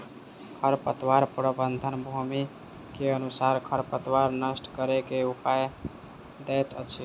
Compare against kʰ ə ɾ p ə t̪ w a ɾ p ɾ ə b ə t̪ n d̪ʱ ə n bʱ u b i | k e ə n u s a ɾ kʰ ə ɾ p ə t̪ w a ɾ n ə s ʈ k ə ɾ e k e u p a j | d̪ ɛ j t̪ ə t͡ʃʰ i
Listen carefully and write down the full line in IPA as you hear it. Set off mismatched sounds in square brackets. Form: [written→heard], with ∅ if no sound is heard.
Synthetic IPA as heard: kʰ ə ɾ p ə t̪ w a ɾ p ɾ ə b ə [t̪→∅] n d̪ʱ ə n bʱ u [b→m] i | k e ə n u s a ɾ kʰ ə ɾ p ə t̪ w a ɾ n ə s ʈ k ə ɾ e k e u p a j | d̪ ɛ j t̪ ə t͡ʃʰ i